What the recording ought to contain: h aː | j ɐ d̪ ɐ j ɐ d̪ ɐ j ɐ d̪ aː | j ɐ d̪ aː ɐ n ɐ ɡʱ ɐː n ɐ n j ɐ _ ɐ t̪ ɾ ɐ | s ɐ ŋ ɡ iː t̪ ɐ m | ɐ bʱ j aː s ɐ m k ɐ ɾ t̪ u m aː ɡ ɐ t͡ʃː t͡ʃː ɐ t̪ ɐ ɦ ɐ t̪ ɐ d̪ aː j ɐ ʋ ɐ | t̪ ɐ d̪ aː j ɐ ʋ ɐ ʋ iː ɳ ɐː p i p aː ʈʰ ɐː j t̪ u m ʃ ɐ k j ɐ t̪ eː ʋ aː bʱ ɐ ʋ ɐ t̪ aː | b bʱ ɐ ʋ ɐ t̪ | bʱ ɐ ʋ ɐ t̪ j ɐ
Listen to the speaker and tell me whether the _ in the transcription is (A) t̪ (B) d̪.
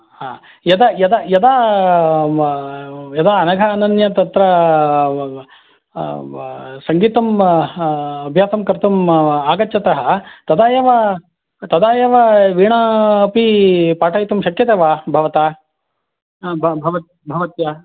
A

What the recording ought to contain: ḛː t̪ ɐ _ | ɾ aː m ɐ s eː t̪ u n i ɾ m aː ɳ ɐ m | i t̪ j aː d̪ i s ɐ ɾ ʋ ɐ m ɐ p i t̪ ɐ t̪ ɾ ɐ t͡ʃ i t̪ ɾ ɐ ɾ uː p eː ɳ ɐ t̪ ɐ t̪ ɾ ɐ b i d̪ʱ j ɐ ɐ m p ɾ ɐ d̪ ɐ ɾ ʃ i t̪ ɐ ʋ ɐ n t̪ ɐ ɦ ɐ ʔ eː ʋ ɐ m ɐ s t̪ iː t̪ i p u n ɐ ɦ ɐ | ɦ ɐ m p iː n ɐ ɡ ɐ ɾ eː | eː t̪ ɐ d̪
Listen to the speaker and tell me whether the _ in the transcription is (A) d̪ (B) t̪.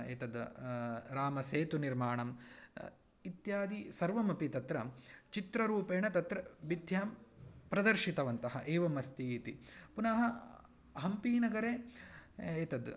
A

